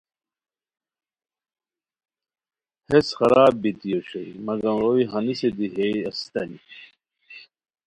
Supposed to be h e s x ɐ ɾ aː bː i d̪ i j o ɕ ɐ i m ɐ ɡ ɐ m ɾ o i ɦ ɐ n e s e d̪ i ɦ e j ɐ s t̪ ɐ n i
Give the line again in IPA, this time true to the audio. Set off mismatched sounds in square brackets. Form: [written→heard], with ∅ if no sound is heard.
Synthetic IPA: h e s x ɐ ɾ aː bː i [d̪→t̪] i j o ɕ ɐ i m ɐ ɡ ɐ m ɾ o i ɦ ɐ n [e→i] s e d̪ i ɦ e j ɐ s t̪ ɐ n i